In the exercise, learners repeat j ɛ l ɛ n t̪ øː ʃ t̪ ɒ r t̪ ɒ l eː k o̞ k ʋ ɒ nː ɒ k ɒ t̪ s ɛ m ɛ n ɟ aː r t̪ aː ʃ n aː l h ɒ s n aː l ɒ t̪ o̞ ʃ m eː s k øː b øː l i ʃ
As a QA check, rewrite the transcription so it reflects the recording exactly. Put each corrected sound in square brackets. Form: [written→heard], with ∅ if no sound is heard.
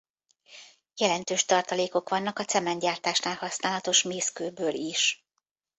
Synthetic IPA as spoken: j ɛ l ɛ n t̪ øː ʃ t̪ ɒ r t̪ ɒ l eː k o̞ k ʋ ɒ nː ɒ k ɒ t̪ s ɛ m ɛ n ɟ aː r t̪ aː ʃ n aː l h ɒ s n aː l ɒ t̪ o̞ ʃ m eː s k øː b øː l i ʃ